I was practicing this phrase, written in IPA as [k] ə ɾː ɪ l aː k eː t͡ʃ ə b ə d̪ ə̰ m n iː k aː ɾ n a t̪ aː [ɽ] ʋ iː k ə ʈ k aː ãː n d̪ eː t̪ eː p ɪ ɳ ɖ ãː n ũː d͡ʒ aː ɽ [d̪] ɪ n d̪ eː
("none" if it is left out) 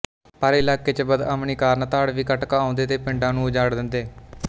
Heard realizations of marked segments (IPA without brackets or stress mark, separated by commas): p, ɽ, d̪